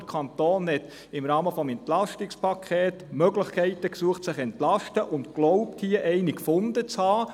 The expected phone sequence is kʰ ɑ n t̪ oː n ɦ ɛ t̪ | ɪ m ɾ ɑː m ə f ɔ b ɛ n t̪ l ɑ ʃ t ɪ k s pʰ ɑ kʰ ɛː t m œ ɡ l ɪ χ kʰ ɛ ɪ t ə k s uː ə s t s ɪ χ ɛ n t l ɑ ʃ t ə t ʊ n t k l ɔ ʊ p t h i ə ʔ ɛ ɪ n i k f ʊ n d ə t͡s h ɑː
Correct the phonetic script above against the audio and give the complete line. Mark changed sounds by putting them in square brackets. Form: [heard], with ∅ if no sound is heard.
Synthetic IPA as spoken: kʰ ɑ n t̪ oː n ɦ ɛ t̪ | ɪ m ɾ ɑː m ə f ɔ [m] ɛ n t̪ l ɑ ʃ t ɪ k s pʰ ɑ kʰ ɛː t m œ ɡ l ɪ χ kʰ ɛ ɪ t ə k s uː ə [χ] t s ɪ χ ɛ n t l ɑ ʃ t ə [ʔ] ʊ n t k l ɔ ʊ p t h i ə ʔ ɛ ɪ n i k f ʊ n d ə t͡s h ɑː